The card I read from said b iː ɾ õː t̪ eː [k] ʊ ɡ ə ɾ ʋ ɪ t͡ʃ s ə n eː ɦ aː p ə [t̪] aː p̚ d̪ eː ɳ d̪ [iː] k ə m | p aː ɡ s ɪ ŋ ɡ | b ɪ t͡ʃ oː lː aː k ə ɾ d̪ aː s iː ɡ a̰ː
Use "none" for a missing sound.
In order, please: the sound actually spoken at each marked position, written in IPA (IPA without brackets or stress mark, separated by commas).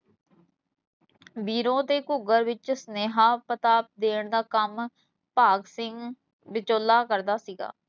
k, t̪, aː